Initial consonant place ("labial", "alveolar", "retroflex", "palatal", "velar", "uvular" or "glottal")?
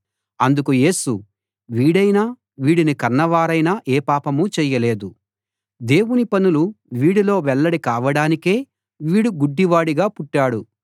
alveolar